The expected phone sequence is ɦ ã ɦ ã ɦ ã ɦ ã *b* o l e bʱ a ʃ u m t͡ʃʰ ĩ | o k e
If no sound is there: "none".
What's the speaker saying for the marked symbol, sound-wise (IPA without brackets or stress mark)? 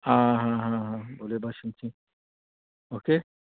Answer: b